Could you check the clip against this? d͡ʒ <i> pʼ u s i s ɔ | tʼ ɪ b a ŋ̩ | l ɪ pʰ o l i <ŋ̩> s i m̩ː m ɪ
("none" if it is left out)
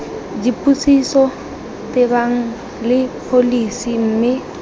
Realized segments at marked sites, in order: i, none

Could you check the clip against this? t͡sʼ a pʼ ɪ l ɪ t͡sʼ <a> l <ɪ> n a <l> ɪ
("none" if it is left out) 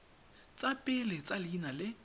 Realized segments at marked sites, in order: a, i, l

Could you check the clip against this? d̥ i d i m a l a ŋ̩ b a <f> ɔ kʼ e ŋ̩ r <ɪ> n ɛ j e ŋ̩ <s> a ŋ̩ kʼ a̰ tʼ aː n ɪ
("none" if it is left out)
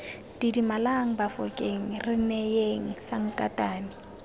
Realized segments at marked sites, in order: f, ɪ, s

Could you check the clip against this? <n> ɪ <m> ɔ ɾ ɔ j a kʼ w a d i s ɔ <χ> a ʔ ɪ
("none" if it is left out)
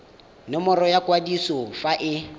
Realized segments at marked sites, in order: n, m, f

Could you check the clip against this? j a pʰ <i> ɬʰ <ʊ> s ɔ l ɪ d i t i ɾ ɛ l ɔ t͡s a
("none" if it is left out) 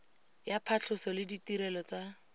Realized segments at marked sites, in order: a, ʊ

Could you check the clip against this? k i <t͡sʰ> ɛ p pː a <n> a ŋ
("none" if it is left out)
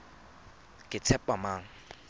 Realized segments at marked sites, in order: t͡sʰ, m

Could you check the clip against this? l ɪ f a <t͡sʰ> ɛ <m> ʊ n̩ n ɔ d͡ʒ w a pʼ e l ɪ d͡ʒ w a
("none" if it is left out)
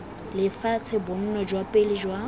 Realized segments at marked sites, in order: t͡sʰ, b

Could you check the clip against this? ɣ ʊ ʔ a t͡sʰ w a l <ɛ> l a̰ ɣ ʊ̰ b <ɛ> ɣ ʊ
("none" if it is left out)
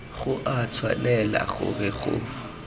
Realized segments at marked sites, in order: ɛ, ɛ

